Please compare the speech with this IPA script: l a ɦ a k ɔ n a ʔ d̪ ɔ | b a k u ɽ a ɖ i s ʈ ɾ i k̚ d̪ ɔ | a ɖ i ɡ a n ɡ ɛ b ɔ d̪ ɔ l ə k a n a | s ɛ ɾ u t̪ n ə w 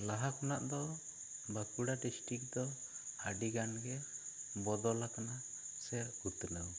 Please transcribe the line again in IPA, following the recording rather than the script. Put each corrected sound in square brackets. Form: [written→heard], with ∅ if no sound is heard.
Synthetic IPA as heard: l a ɦ a k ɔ n a ʔ d̪ ɔ | b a k u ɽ a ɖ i s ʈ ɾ i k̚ d̪ ɔ | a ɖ i ɡ a n ɡ ɛ b ɔ d̪ ɔ l [ə→a] k a n a | s ɛ ɾ u t̪ n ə w